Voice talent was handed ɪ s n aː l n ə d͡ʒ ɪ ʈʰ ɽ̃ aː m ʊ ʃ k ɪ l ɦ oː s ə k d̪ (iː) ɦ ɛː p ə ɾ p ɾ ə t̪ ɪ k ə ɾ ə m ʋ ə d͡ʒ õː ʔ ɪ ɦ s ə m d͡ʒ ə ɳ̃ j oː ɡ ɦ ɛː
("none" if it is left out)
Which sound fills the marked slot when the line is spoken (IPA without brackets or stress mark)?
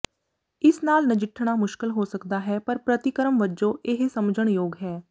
aː